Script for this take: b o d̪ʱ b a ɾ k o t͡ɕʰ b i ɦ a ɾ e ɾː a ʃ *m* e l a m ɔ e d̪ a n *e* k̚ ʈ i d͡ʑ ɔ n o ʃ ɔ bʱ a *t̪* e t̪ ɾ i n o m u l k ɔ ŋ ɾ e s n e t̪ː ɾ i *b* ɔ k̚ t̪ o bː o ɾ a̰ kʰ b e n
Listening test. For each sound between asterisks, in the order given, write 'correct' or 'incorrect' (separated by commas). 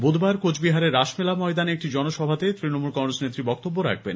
correct, correct, correct, correct